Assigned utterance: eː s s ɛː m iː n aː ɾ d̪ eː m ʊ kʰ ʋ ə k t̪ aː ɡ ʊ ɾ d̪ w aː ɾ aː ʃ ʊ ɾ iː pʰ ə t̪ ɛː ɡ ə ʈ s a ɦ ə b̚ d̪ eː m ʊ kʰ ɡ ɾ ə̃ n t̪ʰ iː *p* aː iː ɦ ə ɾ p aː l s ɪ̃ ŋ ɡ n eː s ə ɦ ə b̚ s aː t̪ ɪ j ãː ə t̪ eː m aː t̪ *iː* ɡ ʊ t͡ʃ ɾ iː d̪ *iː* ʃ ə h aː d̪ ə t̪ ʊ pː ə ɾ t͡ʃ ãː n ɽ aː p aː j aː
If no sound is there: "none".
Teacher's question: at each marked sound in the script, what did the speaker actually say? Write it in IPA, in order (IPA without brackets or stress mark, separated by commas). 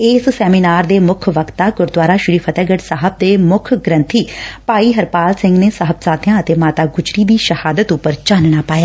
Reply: p, aː, iː